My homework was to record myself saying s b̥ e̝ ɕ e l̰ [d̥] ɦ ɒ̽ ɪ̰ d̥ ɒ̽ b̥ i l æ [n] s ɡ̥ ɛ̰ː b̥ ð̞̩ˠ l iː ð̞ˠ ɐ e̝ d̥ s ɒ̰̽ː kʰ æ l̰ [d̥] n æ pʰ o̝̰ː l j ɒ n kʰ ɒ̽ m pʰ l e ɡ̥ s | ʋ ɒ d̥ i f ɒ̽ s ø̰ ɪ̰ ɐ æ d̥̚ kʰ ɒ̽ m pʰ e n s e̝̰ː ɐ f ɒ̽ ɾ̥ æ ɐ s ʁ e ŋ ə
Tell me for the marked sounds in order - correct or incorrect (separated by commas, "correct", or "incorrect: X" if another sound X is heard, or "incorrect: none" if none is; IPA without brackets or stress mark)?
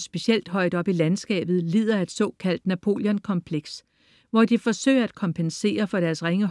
correct, correct, correct